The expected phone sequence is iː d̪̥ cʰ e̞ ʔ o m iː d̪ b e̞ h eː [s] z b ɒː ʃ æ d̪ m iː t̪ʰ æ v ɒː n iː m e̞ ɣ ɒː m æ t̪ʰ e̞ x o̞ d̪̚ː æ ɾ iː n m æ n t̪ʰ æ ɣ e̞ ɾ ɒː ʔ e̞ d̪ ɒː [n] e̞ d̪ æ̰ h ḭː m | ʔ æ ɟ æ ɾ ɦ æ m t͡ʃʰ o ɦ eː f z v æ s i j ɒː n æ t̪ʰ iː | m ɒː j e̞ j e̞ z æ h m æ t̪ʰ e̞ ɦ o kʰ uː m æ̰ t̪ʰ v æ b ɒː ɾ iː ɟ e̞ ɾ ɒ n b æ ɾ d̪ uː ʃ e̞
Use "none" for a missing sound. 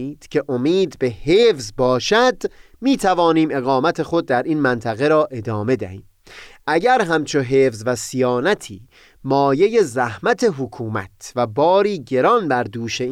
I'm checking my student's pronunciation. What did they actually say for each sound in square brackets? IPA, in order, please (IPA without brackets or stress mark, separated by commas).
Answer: f, m